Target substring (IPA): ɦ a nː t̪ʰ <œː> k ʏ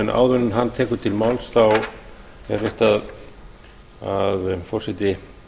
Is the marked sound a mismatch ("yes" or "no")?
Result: yes